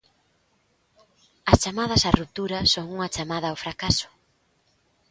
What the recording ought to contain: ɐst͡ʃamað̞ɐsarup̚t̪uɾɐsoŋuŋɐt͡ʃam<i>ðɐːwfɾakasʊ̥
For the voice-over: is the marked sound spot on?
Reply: no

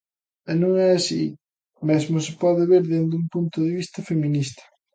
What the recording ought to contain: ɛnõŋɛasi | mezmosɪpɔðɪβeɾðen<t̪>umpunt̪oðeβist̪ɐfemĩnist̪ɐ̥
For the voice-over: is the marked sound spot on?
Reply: no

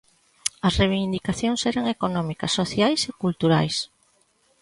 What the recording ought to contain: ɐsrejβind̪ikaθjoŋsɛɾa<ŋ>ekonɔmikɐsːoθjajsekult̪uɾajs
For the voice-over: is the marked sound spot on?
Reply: yes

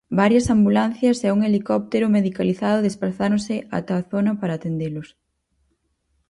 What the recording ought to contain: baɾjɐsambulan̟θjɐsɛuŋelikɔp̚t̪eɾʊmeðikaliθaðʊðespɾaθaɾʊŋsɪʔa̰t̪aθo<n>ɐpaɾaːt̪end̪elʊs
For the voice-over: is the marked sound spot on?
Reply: yes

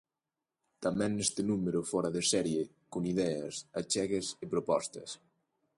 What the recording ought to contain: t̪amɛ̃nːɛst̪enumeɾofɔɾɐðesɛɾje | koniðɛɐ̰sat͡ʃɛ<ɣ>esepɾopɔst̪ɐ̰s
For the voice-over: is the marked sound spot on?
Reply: yes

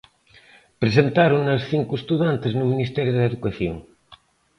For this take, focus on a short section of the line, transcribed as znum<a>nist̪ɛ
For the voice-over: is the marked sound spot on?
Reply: no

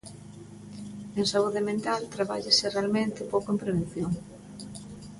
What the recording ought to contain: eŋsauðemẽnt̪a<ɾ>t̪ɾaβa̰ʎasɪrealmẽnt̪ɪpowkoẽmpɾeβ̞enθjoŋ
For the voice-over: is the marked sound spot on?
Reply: no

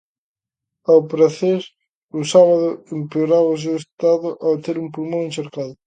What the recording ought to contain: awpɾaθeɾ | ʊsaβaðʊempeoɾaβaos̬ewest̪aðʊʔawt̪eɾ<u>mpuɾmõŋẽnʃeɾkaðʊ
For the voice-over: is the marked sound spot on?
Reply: yes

